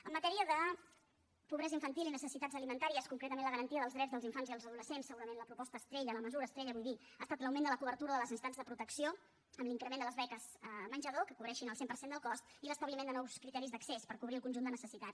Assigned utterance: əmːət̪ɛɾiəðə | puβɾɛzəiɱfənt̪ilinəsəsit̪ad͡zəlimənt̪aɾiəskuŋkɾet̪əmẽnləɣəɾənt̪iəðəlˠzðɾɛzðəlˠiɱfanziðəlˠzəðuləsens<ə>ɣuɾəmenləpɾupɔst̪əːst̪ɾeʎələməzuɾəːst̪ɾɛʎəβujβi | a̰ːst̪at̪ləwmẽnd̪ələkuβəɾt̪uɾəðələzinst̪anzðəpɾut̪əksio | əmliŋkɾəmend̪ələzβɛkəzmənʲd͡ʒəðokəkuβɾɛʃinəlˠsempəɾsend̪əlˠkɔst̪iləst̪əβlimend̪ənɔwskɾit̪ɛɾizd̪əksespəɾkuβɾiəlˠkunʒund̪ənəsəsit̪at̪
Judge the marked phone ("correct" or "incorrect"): correct